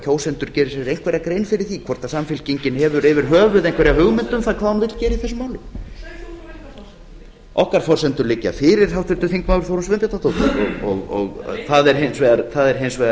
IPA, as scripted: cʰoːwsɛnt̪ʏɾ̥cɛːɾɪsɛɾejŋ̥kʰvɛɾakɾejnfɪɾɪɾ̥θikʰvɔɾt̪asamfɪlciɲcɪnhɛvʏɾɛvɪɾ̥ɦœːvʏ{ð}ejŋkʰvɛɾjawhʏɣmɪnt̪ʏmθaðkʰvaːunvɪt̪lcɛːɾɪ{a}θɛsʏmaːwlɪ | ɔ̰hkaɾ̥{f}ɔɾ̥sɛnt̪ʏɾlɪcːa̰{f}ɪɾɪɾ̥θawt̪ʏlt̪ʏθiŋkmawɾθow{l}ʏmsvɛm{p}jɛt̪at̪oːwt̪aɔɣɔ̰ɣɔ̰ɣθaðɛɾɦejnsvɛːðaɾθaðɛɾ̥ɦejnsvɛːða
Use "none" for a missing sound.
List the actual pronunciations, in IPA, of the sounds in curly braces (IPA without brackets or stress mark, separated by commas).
ð, i, f, f, ɾ, p